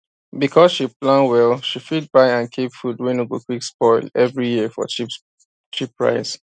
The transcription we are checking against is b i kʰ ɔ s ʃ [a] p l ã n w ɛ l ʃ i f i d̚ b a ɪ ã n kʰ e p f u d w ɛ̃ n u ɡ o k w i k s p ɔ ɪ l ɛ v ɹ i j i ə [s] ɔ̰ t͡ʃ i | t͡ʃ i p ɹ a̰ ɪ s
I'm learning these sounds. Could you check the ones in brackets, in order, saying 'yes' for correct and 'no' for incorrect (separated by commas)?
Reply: no, no